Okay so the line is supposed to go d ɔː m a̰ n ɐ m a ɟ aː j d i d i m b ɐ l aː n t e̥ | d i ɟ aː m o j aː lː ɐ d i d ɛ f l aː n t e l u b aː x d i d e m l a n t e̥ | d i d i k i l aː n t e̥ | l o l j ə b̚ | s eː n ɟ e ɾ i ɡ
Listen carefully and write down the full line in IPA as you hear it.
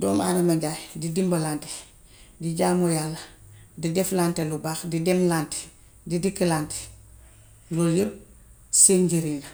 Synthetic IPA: d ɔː m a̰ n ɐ m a ɟ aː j d i d i m b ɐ l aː n t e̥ | d i ɟ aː m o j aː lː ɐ d i d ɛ f l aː n t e l u b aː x d i d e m l a n t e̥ | d i d i k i l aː n t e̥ | l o l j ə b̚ | s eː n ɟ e ɾ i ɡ

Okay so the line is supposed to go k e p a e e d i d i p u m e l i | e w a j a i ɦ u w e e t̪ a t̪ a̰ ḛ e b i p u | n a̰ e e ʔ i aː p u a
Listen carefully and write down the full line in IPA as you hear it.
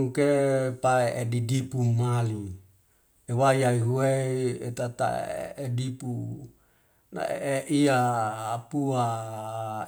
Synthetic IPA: k e p a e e d i d i p u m a l i | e w a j a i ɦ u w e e t̪ a t̪ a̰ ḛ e d i p u | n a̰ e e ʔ i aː p u a

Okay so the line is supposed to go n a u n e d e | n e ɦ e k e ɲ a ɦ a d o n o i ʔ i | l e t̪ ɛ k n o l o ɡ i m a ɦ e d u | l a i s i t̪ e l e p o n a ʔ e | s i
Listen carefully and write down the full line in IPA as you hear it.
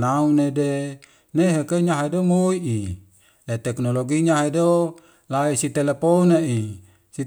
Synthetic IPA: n a u n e d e | n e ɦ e k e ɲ a ɦ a d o m o i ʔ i | l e t̪ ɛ k n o l o ɡ i ɲ a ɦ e d o | l a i s i t̪ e l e p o n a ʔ i | s i

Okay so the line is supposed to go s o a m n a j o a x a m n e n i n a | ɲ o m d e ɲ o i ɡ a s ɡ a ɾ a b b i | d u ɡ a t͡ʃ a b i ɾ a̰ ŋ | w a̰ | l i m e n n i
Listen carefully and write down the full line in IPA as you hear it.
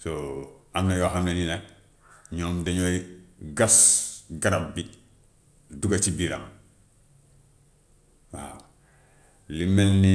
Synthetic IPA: s o a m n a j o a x a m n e n i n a | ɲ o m d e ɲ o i ɡ a s ɡ a ɾ a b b i | d u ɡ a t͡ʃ i b i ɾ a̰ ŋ | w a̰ | l i m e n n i

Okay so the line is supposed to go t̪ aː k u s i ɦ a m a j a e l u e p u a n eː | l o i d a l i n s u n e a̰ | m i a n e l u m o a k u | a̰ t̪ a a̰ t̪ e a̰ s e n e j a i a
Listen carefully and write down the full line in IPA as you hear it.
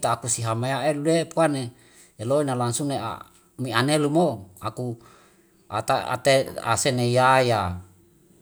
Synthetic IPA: t̪ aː k u s i ɦ a m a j a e l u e p u a n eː | l o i n a l a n s u n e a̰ | m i a n e l u m o a k u | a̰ t̪ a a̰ t̪ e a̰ s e n e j a j a

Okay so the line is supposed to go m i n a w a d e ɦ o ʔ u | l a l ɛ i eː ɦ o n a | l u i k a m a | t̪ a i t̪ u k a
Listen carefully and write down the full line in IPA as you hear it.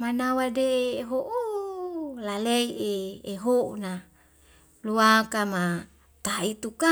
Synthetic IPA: m a n a w a d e ɦ o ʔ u | l a l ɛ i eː ɦ o n a | l u a k a m a | t̪ a i t̪ u k a

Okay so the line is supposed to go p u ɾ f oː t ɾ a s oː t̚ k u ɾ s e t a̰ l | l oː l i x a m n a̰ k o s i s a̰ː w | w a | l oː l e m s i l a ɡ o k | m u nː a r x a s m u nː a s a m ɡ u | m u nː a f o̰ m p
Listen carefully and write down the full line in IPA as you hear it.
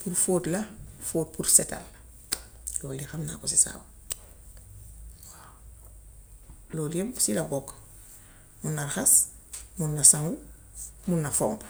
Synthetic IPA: p u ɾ f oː t l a f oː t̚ p u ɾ s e t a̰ l | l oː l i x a m n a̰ k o s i s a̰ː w | w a | l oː l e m s i l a ɡ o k | m u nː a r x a s m u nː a s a ŋ ɡ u | m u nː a f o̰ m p

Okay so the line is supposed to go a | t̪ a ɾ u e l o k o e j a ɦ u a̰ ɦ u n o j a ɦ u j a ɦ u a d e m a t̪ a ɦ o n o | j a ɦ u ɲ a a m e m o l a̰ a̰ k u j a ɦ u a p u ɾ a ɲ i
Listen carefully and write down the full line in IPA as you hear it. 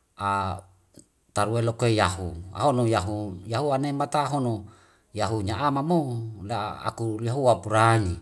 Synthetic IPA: a | t̪ a ɾ u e l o k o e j a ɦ u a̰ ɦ o n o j a ɦ u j a ɦ u a n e m a t̪ a ɦ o n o | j a ɦ u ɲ a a m a m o l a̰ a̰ k u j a ɦ u a p u ɾ a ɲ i

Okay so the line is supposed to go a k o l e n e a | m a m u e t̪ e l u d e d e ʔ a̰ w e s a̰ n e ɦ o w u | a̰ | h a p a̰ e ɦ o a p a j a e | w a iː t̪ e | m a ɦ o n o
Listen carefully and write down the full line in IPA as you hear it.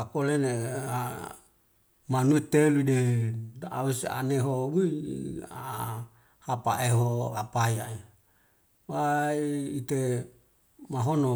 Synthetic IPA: a k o l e n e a | m a n u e t̪ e l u d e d a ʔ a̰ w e s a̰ n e ɦ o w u | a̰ | h a p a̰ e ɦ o a p a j a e | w a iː t̪ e | m a ɦ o n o

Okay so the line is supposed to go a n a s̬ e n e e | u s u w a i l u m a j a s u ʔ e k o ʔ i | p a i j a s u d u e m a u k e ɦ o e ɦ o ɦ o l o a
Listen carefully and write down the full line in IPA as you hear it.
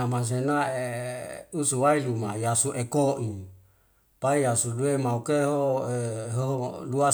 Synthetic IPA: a m a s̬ e n a e | u s u w a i l u m a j a s u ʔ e k o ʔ i | p a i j a s u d u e m a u k e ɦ o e ɦ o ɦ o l u a

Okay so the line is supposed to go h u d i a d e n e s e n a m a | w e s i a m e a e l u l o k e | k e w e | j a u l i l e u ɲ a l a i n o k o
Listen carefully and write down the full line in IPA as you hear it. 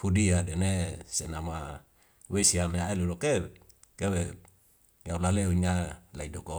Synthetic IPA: h u d i a d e n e s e n a m a | w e s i a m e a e l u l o k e | k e w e | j a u l a l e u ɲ a l a i d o k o

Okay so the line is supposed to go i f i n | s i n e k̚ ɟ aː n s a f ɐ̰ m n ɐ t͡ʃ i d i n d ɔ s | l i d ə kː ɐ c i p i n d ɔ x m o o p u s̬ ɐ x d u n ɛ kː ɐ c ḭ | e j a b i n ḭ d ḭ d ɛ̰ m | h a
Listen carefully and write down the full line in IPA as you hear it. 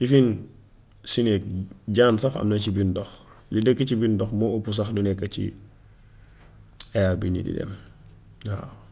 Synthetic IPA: i f i n | s i n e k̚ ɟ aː n s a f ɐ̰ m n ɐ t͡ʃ i b i n d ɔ x | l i d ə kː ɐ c i b i n d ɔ x m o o p u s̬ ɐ x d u n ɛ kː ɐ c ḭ | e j a b i n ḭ d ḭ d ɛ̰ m | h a

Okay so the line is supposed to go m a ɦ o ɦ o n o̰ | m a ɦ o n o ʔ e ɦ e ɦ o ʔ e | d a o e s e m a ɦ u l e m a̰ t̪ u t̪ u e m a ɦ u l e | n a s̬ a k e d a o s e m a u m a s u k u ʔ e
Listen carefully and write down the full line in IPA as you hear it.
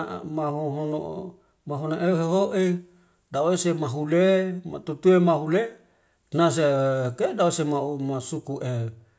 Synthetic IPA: m a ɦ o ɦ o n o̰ | m a ɦ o n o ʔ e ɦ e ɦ o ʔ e | d a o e s e m a ɦ u l e m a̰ t̪ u t̪ u e m a ɦ u l e | n a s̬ e k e d a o s e m a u m a s u k u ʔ e

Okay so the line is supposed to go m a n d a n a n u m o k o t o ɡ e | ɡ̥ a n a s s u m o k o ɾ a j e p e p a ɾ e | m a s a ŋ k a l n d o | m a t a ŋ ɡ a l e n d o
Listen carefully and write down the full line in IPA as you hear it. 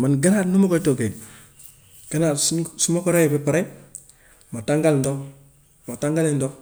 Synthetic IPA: m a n ɡ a n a n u m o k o t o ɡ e | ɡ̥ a n a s s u m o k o ɾ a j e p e p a ɾ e | m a t a ŋ ɡ a l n d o | m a t a ŋ ɡ a l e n d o

